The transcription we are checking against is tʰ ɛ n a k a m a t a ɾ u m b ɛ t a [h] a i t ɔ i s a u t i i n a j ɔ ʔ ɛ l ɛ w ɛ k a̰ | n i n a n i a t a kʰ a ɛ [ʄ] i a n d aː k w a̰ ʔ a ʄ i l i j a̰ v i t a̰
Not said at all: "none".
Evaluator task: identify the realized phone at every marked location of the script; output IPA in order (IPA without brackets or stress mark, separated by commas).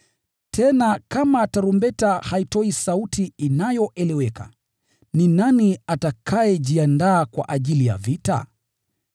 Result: h, ʄ